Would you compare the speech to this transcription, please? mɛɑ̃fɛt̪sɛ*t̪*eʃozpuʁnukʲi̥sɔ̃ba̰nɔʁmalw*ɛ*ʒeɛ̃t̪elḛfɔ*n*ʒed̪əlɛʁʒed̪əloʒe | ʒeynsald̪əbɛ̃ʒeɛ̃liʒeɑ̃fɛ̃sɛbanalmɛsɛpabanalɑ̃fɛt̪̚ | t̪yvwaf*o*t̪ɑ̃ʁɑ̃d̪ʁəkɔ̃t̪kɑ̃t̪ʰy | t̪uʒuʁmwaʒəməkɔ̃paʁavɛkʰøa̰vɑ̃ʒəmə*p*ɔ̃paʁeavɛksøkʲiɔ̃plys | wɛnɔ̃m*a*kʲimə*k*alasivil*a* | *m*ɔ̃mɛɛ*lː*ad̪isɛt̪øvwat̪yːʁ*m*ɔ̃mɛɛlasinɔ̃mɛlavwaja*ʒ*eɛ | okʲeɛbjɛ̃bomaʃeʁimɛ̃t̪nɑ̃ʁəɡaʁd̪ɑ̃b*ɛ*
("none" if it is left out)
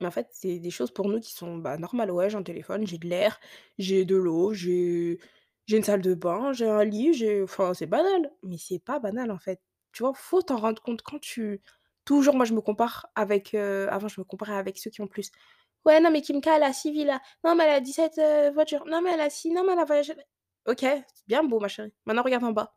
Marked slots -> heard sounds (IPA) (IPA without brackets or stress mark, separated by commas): d̪, ɛ, n, o, k, ɛ, k, a, n, l, n, ʒ, a